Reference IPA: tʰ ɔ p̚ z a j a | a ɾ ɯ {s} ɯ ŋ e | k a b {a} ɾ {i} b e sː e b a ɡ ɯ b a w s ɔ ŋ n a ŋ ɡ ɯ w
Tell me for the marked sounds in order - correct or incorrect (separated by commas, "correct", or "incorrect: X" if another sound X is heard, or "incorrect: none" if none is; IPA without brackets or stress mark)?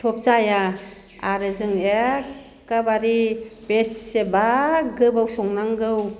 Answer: incorrect: z, correct, correct